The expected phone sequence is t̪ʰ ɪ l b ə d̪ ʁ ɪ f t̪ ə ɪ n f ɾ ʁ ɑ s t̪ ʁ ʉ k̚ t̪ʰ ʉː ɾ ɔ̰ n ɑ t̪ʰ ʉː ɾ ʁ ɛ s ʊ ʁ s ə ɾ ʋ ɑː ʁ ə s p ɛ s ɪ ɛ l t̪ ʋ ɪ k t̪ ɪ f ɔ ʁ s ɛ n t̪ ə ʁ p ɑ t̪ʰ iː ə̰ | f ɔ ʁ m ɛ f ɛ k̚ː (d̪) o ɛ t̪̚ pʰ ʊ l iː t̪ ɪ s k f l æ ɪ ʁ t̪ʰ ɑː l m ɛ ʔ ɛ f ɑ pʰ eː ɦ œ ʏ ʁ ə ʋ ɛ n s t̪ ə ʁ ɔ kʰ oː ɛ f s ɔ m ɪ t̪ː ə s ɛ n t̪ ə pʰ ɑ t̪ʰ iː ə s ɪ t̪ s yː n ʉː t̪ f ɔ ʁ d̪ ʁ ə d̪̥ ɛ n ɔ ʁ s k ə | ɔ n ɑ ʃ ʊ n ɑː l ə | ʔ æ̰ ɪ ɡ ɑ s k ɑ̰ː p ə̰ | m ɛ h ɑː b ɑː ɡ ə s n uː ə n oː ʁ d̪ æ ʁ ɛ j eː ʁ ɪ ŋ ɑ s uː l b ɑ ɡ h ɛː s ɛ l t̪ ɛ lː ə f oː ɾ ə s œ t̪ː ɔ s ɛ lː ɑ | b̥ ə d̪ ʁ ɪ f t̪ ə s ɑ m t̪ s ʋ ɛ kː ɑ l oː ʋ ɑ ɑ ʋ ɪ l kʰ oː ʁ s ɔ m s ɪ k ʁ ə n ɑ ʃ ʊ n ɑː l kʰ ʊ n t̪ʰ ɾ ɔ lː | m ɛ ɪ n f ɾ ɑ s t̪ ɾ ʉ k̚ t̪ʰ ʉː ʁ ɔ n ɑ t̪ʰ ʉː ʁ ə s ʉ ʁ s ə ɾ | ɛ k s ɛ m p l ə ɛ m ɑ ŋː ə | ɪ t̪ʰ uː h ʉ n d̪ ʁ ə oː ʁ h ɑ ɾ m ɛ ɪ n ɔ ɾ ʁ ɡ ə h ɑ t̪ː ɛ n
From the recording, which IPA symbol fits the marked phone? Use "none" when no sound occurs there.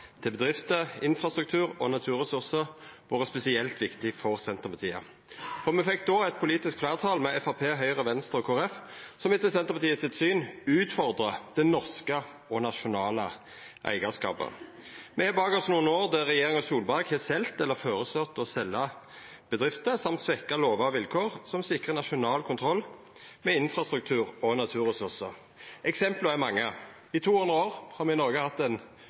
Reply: d̪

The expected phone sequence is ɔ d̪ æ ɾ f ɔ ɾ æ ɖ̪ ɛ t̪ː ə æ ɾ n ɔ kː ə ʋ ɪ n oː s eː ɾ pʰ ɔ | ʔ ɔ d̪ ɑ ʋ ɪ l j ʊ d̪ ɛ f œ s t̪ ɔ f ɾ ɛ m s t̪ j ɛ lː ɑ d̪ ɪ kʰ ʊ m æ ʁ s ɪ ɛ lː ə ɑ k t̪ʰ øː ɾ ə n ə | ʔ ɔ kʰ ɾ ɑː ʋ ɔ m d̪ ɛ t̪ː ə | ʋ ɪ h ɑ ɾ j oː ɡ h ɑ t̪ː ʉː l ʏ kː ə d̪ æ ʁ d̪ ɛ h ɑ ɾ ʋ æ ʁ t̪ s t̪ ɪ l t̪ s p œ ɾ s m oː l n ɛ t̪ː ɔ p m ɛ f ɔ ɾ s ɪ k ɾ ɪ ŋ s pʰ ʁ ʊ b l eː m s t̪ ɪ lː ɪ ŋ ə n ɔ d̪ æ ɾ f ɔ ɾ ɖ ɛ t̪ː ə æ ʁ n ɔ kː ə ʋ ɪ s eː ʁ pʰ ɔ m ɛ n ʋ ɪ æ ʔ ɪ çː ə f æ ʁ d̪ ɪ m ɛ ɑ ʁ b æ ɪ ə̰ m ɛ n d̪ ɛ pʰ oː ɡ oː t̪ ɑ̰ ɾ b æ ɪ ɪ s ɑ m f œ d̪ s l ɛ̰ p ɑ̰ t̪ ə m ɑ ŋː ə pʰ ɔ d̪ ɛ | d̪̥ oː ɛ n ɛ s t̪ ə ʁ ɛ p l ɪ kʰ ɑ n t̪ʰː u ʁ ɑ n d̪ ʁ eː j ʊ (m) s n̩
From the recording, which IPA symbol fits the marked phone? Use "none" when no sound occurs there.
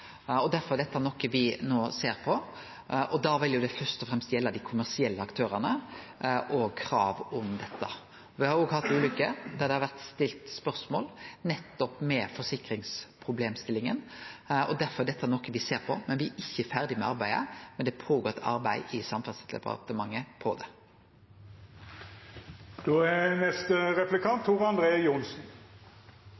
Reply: n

